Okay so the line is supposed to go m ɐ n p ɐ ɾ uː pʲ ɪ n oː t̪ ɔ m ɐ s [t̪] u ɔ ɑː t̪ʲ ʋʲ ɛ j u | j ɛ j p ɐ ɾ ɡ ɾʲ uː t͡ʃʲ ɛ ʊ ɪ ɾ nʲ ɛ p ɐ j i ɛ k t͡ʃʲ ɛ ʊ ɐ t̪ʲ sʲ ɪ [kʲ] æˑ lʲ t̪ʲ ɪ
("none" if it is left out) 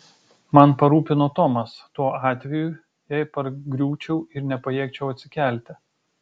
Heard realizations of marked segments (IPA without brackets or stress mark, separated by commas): t̪, kʲ